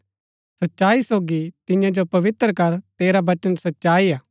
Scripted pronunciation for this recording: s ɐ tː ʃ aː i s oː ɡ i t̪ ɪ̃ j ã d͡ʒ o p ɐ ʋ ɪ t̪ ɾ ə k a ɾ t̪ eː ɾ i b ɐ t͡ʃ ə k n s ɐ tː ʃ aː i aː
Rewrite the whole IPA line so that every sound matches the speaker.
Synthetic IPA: s ɐ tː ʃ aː i s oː ɡ i t̪ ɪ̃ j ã d͡ʒ o p ɐ ʋ ɪ t̪ ɾ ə k ɐ ɾ t̪ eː ɾ a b ɐ t͡ʃ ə n s ɐ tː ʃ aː i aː